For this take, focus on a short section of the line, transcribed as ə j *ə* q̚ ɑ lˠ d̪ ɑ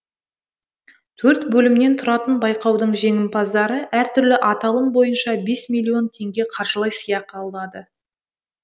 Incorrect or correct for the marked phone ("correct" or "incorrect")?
incorrect